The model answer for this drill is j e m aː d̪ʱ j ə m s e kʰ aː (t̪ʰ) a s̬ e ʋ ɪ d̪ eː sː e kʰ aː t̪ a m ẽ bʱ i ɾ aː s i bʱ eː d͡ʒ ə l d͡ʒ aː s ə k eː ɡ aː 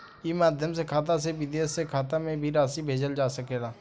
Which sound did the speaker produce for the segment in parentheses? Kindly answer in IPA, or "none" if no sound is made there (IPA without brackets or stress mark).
t̪